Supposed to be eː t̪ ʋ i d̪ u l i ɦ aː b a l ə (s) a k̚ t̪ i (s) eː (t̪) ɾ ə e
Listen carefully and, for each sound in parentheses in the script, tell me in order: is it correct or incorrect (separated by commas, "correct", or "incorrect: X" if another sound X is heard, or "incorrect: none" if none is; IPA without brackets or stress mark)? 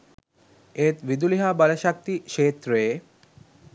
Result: incorrect: ʃ, incorrect: ʃ, correct